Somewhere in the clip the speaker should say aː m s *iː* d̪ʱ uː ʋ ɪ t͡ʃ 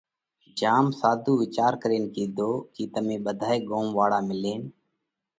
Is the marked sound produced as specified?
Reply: no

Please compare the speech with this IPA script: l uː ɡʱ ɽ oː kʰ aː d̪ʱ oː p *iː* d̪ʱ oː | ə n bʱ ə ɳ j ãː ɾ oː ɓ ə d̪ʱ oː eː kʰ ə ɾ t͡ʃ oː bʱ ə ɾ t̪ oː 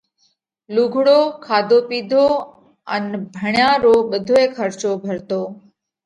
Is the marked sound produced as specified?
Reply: yes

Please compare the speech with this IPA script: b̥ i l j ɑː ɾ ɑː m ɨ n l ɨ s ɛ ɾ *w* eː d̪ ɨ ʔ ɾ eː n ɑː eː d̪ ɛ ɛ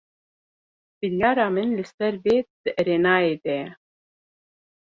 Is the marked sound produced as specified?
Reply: no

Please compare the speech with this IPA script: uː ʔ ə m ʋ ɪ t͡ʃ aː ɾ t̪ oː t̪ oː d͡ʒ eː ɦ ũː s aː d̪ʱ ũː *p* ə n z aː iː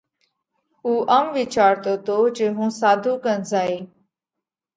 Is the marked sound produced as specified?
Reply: no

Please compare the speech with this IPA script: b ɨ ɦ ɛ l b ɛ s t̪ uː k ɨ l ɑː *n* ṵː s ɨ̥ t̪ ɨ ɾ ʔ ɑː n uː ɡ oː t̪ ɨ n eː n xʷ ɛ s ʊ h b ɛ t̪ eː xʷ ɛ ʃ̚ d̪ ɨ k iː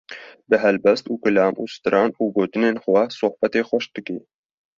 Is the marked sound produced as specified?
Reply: no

